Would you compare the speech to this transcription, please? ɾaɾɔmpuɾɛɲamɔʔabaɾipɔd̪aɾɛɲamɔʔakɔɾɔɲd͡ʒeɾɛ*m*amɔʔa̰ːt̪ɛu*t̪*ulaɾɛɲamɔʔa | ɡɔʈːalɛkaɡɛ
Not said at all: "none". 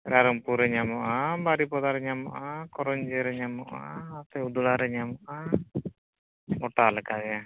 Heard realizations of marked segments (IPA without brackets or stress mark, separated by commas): ɲ, d̪